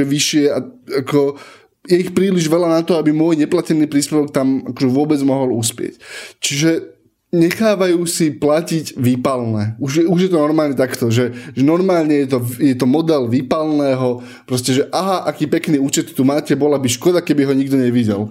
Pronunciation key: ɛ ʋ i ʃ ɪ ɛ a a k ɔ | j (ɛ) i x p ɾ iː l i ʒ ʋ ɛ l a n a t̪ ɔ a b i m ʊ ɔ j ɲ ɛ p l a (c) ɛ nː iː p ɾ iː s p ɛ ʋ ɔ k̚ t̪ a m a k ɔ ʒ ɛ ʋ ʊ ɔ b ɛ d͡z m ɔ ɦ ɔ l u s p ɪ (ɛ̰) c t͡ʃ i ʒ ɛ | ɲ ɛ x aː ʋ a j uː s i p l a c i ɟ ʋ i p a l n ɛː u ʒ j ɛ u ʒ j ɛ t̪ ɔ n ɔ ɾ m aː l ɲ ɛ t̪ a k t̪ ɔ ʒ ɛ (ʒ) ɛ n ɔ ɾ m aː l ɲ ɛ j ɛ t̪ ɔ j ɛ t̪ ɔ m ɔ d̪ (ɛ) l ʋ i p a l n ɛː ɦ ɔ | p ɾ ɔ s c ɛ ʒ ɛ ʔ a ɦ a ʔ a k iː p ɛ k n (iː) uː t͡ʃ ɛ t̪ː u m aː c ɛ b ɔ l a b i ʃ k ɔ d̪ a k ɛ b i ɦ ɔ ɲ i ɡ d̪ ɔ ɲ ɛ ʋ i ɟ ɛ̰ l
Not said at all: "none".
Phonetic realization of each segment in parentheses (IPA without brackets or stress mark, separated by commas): ɛ, c, ɛ̰, ʒ, ɛ, iː